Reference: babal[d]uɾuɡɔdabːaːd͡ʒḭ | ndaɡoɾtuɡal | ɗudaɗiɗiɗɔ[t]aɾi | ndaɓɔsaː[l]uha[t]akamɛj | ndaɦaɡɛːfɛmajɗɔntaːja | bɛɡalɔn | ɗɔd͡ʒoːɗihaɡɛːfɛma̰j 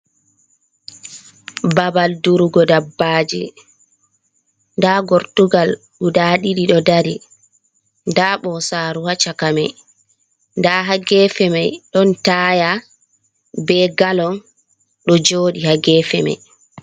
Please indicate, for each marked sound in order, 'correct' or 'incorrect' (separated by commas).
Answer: correct, incorrect, incorrect, incorrect